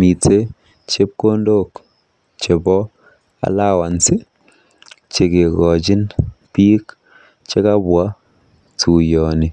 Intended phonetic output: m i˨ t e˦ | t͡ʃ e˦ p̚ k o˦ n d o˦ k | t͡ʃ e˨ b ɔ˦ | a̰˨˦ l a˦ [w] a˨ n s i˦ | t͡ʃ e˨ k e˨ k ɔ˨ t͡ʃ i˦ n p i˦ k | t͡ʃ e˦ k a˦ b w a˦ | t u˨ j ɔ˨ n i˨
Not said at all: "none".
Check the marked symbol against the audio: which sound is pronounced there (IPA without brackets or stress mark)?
w